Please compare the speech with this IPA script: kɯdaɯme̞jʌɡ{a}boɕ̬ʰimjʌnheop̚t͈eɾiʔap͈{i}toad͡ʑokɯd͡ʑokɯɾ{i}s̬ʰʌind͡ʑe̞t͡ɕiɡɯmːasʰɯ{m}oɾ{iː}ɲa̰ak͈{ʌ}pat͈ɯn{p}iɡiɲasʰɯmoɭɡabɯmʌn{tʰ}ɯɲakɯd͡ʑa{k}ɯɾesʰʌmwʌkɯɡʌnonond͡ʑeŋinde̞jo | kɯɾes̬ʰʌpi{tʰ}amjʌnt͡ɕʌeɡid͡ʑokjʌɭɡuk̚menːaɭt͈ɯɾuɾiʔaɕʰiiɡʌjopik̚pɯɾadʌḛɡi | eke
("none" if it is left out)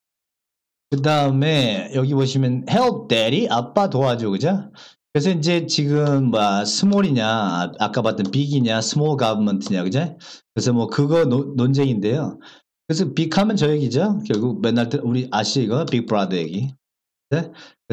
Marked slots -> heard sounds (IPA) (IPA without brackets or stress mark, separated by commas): i, a, e, m, i, a, p, tʰ, k, kʰ